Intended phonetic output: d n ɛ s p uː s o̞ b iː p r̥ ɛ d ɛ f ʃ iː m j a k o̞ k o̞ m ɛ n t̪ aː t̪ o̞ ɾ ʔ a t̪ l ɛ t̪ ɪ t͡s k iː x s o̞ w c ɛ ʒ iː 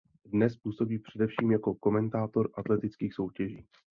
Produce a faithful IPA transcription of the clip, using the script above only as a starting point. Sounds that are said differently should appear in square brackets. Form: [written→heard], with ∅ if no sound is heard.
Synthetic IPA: d n ɛ s p uː s o̞ b iː p r̥ ɛ d ɛ f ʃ iː m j a k o̞ k o̞ m ɛ n t̪ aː t̪ o̞ ɾ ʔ a t̪ l ɛ t̪ ɪ t͡s k iː x s o̞ w c ɛ ʒ iː